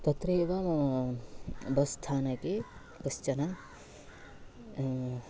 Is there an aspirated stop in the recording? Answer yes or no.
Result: yes